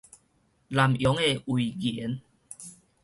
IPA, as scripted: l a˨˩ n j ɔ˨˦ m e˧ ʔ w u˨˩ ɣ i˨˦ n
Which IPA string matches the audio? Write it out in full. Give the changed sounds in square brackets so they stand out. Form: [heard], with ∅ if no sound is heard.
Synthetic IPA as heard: l a˨˩ [m] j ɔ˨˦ [ŋ] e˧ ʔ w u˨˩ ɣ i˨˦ n